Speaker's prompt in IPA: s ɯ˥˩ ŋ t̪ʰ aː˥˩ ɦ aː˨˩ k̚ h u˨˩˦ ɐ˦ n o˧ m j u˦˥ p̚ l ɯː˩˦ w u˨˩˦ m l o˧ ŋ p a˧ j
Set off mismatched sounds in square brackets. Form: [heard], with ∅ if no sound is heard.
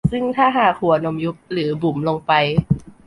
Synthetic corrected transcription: s ɯ˥˩ ŋ t̪ʰ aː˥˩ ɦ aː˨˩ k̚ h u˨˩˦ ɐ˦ n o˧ m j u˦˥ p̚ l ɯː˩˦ [b] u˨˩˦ m l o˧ ŋ p a˧ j